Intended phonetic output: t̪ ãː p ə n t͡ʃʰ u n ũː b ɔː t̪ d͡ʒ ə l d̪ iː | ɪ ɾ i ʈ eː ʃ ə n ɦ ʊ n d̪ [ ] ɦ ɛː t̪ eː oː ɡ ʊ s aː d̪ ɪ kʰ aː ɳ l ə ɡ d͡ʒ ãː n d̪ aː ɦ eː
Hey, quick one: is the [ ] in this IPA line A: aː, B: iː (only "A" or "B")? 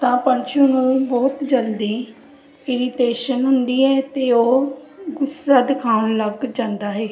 B